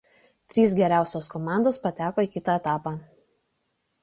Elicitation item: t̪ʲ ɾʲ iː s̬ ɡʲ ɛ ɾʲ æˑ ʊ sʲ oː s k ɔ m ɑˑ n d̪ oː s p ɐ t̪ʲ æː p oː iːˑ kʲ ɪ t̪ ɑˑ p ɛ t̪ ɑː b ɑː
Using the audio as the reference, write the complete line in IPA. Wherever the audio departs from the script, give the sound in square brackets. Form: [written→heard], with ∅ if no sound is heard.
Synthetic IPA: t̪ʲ ɾʲ iː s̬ ɡʲ ɛ ɾʲ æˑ ʊ sʲ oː s k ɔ m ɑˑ n d̪ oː s p ɐ t̪ʲ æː [p→k] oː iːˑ kʲ ɪ t̪ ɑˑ [p→∅] ɛ t̪ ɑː [b→p] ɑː